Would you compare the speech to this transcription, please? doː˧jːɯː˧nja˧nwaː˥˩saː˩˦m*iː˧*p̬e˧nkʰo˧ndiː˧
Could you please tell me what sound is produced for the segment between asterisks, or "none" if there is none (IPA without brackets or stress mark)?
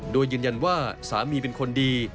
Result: iː˧